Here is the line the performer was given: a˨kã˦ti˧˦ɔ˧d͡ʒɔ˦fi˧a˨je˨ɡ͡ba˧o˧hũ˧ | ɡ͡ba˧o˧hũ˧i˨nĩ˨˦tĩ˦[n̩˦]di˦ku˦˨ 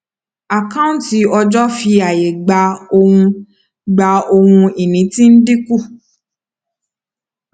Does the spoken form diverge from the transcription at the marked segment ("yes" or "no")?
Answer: no